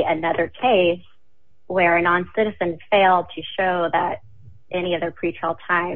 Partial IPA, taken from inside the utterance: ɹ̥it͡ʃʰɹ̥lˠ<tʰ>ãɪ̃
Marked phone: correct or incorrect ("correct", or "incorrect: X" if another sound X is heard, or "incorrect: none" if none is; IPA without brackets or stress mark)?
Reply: correct